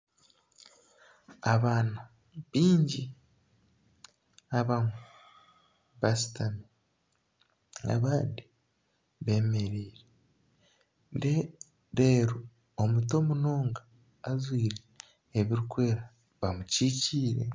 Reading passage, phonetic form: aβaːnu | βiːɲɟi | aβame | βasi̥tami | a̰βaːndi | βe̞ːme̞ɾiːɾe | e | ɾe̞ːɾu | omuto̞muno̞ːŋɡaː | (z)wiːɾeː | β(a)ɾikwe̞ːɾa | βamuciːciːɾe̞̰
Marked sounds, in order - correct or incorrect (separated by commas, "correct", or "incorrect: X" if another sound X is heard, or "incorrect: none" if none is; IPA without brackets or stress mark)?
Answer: correct, incorrect: i